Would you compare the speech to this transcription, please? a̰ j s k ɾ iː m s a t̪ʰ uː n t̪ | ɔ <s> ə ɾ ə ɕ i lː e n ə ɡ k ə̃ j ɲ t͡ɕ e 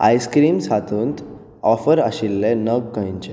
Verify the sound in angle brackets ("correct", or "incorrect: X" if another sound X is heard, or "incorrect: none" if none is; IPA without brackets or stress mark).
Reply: incorrect: f